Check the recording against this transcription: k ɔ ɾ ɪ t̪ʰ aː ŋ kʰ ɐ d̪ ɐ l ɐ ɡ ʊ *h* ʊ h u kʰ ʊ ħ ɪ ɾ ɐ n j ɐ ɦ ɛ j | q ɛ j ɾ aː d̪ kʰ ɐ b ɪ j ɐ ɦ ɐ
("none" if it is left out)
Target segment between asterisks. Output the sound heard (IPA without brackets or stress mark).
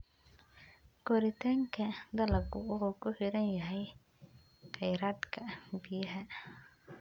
none